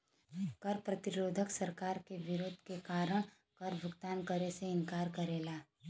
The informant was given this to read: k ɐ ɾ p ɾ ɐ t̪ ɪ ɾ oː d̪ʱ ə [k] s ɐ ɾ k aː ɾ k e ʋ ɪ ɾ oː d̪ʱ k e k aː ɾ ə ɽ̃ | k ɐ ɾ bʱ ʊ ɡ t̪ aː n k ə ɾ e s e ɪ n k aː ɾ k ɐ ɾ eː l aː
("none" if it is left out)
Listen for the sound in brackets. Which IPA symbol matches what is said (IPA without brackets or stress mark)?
k